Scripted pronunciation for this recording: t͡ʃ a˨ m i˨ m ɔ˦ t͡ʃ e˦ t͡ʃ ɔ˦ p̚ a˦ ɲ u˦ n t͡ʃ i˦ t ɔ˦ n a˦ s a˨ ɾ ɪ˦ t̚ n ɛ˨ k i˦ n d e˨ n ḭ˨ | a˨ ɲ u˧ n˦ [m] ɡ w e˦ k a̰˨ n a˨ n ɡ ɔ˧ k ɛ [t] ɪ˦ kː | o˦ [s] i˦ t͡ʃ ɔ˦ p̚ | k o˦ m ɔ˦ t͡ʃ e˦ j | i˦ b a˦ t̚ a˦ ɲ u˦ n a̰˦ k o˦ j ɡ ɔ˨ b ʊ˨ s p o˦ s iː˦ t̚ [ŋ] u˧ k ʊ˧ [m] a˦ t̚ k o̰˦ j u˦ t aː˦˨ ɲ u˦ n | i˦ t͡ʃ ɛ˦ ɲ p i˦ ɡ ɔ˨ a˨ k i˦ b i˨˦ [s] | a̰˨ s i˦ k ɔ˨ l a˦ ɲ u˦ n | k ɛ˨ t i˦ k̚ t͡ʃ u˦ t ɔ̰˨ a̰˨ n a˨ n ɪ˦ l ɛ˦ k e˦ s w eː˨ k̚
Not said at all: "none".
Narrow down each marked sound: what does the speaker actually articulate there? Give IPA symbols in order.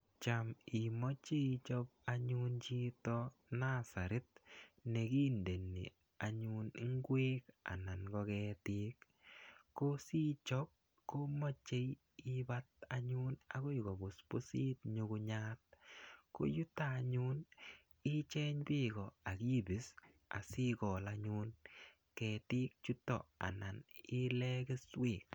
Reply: ŋ, t, s, ɲ, ɲ, s

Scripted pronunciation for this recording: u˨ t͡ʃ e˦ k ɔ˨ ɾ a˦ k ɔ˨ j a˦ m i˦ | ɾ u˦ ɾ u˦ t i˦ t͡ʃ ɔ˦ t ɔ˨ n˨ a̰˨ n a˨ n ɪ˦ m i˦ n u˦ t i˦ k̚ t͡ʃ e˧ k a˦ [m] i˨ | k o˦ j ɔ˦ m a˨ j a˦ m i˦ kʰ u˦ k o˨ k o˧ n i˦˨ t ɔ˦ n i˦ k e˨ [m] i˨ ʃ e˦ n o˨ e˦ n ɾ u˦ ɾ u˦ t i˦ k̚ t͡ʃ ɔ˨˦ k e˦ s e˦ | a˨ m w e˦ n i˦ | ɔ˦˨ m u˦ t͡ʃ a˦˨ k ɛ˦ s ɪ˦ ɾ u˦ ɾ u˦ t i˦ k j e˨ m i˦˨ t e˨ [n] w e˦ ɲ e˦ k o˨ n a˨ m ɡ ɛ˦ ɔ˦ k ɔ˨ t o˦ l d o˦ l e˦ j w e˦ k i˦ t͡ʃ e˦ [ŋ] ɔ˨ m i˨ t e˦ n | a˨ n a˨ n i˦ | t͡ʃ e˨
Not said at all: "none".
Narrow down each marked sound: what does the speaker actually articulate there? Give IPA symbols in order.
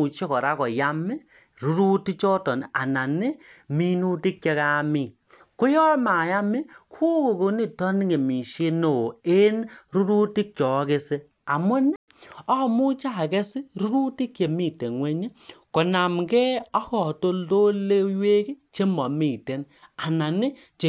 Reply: m, m, ŋ, m

